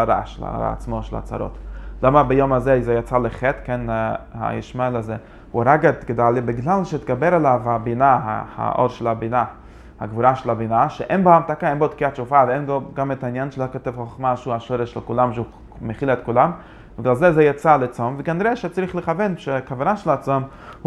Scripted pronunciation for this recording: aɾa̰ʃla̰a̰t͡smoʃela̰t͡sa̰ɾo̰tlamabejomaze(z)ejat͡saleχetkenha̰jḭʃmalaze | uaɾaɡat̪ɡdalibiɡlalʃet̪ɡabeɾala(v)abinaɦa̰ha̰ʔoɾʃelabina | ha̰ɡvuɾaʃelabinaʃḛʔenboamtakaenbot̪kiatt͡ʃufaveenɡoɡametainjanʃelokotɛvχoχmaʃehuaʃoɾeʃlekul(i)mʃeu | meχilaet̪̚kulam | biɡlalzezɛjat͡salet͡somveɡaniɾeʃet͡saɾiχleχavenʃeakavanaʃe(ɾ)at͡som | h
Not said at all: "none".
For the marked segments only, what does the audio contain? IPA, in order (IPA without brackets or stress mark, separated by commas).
z, v, a, l